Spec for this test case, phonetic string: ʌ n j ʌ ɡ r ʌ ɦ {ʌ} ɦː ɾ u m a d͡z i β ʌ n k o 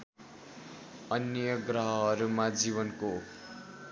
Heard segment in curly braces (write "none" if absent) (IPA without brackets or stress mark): ʌ